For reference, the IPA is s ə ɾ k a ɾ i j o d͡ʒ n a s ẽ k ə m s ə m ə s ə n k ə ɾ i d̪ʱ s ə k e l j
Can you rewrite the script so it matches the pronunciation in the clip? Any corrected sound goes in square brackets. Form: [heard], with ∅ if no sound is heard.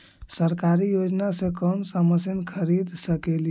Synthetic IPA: s ə ɾ k a ɾ i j o d͡ʒ n a s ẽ k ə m s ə m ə s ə n [kʰ] ə ɾ i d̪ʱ s ə k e l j